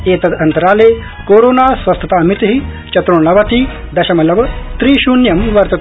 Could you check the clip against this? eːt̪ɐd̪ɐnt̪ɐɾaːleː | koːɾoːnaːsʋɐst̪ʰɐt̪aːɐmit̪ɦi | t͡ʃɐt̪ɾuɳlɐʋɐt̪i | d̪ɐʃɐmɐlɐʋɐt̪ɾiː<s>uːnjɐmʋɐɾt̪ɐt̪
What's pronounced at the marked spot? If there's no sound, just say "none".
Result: ʃ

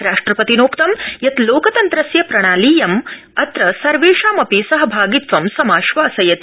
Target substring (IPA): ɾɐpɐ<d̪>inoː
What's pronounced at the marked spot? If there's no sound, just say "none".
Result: t̪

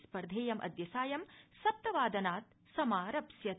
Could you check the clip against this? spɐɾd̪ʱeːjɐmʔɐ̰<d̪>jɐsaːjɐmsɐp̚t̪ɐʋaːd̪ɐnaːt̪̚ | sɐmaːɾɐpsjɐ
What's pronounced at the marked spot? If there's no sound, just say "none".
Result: d̪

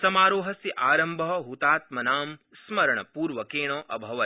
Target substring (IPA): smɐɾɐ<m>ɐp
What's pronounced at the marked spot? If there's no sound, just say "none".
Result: ɳ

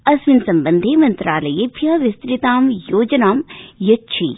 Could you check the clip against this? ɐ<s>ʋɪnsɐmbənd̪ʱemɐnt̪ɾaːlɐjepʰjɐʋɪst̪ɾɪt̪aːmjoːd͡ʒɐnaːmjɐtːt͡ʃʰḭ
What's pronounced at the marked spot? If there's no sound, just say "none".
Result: s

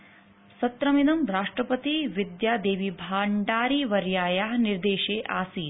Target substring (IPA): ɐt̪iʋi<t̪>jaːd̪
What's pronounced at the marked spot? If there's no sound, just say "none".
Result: d̪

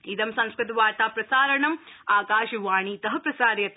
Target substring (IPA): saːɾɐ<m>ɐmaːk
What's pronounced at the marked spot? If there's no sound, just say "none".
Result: ɳ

